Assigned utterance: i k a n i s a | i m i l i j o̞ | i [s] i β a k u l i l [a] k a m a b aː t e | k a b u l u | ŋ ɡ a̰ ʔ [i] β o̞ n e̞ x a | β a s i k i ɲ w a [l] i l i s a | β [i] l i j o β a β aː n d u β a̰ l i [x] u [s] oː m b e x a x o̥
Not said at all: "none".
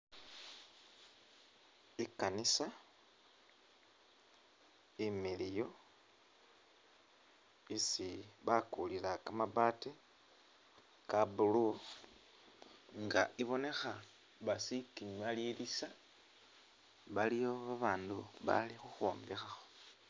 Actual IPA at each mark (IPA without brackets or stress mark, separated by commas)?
s, a, i, l, a, x, x